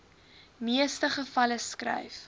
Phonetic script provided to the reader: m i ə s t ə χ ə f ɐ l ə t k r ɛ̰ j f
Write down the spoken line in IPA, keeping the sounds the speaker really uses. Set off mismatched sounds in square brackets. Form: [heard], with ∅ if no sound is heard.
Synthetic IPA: m i ə s t ə χ ə f ɐ l ə [s] k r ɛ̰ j f